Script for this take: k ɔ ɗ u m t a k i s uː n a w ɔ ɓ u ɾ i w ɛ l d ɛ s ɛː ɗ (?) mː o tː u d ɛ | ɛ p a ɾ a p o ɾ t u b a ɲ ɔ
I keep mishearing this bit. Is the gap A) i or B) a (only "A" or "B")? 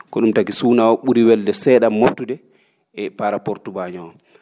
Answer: B